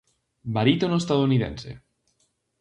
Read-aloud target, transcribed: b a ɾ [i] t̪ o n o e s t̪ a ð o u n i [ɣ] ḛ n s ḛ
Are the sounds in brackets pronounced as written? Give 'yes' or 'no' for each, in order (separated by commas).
yes, no